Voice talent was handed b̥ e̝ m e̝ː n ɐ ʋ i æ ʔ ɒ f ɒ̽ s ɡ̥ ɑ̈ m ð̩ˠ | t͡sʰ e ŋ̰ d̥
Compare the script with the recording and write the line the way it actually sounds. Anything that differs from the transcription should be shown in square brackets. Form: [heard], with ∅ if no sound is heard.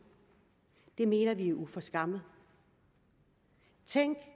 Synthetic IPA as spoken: [d̥] e̝ m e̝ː n ɐ ʋ i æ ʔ [u] f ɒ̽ s ɡ̥ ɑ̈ m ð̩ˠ | t͡sʰ e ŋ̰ [ɡ̥]